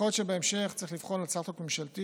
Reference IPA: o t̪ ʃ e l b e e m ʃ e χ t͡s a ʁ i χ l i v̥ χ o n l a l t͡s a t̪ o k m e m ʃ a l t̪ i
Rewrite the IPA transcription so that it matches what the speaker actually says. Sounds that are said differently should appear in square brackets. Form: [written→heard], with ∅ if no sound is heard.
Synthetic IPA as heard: o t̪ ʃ e [l→∅] b e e m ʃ e χ t͡s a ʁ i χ l i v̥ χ o n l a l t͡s a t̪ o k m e m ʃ a l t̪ i